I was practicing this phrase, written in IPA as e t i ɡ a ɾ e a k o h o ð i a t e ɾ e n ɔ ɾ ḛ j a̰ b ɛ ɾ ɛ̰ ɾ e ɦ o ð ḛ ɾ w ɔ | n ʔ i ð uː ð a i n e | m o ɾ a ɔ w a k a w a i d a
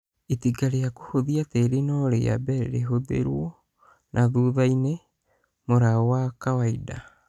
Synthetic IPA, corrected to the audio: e t i ɡ a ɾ e a k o h o ð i a t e ɾ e n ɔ ɾ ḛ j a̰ b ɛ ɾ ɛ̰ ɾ e ɦ o ð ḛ ɾ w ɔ | n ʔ a ð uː ð a i n e | m o ɾ a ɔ w a k a w a i d a